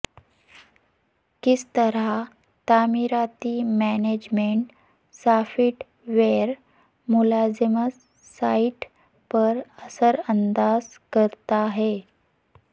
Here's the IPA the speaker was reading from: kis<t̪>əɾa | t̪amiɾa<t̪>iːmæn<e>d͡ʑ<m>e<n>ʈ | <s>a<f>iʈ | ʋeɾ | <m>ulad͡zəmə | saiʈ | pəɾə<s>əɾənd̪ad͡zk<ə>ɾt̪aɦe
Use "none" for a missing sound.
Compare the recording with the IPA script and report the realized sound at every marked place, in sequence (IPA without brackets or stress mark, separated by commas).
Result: t̪, t̪, e, m, ɳ, s, f, m, s, ə